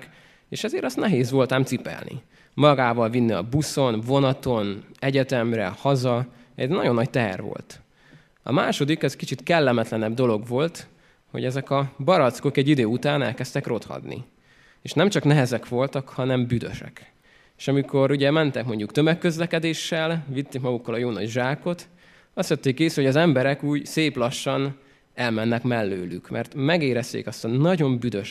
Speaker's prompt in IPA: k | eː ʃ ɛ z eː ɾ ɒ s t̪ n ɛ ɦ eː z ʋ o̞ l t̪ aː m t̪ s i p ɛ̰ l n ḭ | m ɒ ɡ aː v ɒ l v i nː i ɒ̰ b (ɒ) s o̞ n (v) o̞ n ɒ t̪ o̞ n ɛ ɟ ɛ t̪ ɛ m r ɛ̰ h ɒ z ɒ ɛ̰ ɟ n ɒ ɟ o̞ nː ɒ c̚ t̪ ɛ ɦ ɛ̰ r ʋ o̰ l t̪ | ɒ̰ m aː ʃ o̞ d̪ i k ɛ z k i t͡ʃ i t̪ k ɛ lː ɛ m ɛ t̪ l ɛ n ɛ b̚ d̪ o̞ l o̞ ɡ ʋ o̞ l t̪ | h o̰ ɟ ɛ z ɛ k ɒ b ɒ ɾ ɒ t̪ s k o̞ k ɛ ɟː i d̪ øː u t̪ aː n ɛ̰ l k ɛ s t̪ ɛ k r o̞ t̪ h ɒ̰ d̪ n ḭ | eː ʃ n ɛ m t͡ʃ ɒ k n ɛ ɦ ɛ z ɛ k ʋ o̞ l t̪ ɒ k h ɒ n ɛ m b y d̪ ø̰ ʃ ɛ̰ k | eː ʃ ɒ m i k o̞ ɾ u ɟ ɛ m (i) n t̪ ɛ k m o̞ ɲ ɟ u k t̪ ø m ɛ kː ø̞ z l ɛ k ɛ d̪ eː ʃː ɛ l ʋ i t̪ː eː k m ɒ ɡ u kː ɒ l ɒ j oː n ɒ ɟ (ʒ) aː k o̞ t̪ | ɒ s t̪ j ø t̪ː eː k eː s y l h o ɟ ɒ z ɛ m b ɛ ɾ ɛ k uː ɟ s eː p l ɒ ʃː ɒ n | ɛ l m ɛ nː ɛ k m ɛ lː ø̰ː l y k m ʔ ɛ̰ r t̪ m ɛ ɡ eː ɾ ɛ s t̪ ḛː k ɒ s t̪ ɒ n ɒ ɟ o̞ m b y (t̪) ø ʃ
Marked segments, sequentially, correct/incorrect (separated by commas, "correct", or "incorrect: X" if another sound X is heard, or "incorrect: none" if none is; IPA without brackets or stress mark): incorrect: u, correct, incorrect: ɛ, correct, incorrect: d̪